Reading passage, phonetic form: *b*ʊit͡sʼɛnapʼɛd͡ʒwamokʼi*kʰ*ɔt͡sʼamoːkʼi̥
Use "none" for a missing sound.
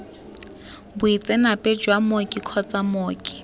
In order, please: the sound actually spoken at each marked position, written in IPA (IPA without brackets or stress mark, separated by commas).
b, kʰ